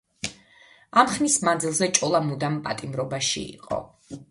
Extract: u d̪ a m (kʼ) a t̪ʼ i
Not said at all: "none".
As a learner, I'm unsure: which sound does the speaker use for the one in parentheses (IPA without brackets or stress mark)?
pʼ